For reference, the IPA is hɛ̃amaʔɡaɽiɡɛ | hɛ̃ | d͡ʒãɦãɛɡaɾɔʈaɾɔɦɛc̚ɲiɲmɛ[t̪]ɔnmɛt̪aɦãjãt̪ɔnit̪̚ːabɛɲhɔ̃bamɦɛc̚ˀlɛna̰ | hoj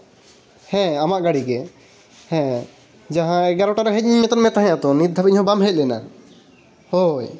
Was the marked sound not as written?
no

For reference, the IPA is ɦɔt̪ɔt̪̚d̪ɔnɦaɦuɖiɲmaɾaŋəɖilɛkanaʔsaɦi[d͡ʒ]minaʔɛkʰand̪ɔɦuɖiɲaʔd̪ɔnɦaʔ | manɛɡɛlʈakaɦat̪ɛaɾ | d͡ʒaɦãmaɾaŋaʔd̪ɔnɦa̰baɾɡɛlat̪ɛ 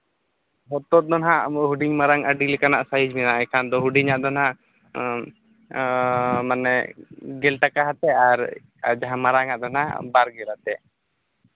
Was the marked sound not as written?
no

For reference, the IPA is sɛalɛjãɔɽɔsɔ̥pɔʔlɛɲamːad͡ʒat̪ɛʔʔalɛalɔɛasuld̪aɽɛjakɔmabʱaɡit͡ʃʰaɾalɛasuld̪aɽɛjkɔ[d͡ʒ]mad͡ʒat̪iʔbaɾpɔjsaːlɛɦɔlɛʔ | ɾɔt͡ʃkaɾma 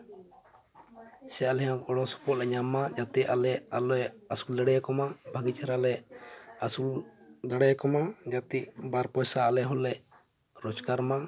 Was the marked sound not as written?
yes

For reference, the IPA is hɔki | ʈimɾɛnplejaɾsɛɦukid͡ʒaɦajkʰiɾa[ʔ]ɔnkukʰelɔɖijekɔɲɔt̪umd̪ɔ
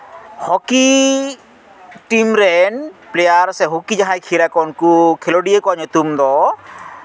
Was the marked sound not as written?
yes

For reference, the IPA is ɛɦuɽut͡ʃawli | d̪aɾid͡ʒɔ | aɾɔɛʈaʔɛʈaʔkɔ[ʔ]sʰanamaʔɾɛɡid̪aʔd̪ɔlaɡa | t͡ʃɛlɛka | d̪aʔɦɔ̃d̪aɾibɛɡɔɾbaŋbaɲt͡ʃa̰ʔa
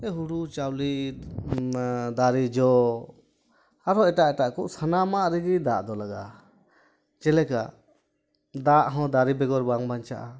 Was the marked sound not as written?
no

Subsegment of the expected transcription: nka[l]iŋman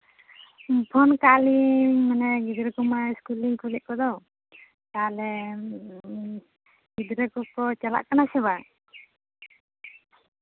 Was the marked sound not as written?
no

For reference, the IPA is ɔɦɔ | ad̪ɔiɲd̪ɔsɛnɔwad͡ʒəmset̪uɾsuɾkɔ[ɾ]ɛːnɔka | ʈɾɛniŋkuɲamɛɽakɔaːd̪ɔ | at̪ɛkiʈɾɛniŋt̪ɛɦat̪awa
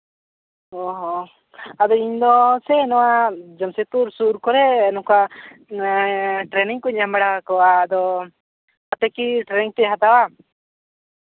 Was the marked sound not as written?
no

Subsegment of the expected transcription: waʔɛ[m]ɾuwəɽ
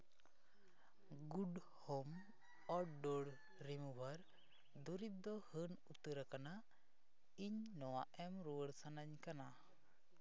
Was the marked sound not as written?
no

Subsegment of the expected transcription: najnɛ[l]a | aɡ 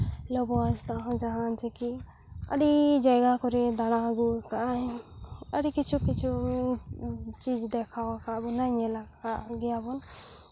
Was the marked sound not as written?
no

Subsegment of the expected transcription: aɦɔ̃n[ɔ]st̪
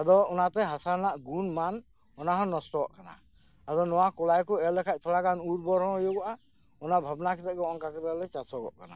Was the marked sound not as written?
no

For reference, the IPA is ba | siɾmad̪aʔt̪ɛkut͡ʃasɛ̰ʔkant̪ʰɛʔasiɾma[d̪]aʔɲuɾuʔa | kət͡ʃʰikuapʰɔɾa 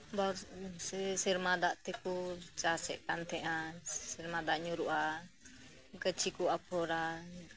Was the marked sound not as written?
no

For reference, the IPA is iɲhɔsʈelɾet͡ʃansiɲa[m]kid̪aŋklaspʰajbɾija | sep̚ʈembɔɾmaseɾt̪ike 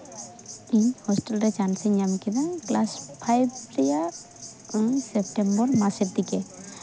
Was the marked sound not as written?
no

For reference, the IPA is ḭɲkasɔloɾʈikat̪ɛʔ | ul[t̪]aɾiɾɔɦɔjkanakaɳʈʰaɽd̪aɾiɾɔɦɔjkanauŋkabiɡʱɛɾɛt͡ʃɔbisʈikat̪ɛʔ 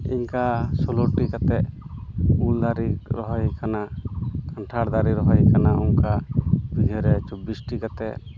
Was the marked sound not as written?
yes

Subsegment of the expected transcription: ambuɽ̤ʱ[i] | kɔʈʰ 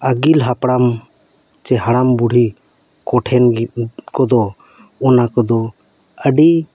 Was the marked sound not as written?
no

